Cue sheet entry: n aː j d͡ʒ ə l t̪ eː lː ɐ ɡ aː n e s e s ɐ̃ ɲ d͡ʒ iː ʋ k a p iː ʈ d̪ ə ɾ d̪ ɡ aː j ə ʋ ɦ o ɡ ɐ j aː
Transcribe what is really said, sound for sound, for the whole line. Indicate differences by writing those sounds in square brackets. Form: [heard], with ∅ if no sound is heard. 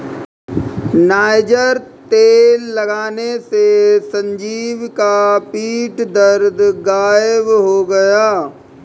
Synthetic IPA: n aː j d͡ʒ ə [ɾ] t̪ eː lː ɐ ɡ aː n e s e s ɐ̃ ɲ d͡ʒ iː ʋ k a p iː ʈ d̪ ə ɾ d̪ ɡ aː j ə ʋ ɦ o ɡ ɐ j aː